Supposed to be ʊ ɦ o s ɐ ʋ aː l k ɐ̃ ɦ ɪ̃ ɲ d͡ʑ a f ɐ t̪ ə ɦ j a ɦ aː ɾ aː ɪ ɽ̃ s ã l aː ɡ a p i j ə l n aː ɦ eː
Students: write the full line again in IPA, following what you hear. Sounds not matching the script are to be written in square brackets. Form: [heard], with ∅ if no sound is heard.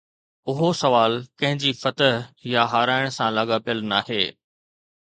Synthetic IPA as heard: ʊ ɦ o s ɐ ʋ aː l k ɐ̃ ɦ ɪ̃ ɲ d͡ʑ [i] f ɐ t̪ ə ɦ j a ɦ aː ɾ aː ɪ ɽ̃ s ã l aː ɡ a p i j ə l n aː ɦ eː